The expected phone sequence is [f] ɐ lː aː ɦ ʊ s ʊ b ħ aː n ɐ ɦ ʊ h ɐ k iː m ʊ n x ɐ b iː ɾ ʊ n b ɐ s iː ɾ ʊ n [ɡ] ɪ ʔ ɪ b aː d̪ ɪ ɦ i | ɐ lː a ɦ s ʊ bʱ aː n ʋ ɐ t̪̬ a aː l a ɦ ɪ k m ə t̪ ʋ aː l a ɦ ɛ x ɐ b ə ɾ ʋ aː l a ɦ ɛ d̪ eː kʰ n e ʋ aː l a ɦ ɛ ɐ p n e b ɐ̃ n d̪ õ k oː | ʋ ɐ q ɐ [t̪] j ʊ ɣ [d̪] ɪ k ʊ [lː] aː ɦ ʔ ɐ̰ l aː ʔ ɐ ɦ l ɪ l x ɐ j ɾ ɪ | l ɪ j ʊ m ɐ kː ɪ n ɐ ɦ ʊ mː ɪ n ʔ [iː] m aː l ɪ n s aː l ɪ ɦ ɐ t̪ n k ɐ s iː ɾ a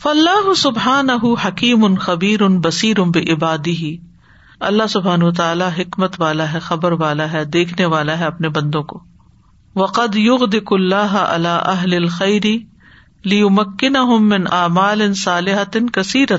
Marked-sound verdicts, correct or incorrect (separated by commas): correct, incorrect, incorrect, correct, correct, incorrect